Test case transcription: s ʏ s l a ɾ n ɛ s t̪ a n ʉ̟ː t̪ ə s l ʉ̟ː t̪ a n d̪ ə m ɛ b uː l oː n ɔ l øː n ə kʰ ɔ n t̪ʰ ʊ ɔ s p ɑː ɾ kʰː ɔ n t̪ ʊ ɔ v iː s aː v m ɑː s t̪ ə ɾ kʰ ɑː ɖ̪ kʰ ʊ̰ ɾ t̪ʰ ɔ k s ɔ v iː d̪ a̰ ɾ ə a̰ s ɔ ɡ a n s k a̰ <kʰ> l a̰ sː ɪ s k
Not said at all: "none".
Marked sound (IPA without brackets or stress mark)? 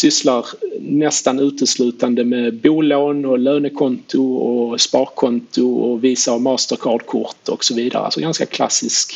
kʰ